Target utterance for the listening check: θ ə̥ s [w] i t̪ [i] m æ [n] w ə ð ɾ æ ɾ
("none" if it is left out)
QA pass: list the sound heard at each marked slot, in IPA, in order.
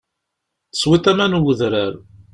w, æ, n

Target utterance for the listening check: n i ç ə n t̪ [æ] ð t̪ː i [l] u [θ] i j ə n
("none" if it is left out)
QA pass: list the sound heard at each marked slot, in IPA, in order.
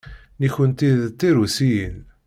i, ɾ, s

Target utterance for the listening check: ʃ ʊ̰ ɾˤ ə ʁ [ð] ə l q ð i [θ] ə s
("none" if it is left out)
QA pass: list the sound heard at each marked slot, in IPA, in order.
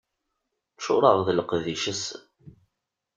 ð, ʃ

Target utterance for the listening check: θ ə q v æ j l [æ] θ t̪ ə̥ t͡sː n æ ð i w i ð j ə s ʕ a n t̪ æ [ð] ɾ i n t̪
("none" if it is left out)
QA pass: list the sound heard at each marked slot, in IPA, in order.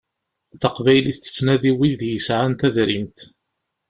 i, ð

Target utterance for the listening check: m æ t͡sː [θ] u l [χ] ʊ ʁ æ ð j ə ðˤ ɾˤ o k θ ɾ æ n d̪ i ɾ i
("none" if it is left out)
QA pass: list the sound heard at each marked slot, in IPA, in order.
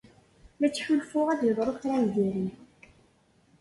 ħ, f

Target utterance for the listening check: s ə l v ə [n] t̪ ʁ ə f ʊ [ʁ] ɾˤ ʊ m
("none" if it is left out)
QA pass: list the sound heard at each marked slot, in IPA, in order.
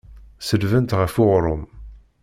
n, ʁ

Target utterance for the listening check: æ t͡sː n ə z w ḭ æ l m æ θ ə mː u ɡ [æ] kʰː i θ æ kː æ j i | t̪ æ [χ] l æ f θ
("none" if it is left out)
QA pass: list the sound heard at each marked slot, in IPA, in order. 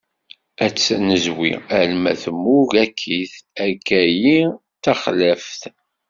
æ, χ

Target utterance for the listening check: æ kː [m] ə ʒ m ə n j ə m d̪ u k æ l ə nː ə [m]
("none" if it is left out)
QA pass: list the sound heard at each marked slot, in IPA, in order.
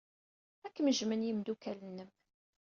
m, m

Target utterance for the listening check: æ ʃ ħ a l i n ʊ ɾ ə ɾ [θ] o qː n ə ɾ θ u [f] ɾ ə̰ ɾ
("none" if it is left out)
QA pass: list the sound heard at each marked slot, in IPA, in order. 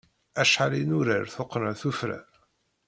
θ, f

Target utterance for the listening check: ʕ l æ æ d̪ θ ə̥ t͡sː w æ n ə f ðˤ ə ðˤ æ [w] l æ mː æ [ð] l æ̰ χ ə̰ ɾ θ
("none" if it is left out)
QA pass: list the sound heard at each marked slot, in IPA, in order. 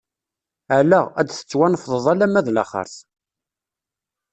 none, ð

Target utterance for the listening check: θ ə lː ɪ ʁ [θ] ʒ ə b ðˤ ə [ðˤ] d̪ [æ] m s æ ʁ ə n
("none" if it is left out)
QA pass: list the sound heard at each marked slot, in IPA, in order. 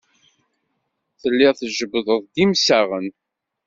θ, ðˤ, i

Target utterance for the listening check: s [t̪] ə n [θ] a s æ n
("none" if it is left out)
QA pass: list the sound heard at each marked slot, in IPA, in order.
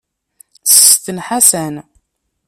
t̪, ħ

